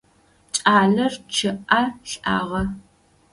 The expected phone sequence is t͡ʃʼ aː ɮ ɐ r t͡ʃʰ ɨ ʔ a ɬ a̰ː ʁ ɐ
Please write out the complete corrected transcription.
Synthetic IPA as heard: t͡ʃʼ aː ɮ ɐ r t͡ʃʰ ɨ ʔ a ɬ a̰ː ʁ ɐ